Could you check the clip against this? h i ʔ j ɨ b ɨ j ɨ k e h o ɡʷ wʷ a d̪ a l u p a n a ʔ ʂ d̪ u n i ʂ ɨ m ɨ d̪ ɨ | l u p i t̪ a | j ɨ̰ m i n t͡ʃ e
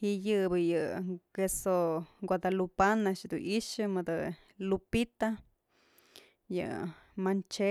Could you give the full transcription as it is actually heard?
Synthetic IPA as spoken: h i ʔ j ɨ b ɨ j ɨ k e s o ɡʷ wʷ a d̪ a l u p a n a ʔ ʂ d̪ u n i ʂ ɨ m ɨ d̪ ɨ | l u p i t̪ a | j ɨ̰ m a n t͡ʃ e

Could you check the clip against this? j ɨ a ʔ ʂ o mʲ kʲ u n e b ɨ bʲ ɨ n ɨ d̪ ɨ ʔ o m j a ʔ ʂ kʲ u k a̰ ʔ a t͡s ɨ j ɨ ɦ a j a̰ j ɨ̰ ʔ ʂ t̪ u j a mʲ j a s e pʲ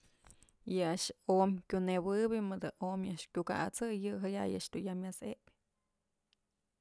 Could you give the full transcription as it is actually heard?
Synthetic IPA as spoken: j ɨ a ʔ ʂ o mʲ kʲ u n e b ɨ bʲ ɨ m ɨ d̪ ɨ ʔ o m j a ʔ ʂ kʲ u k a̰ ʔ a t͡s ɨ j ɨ ɦ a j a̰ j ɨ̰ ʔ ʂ t̪ u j a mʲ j a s e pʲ

